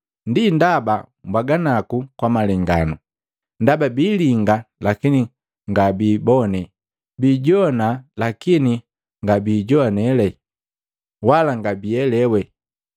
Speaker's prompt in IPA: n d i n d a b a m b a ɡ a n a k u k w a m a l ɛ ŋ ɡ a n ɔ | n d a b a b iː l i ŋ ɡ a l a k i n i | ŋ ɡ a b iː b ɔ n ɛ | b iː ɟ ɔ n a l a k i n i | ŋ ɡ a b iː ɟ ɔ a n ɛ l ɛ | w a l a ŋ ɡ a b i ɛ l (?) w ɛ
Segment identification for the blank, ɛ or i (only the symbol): ɛ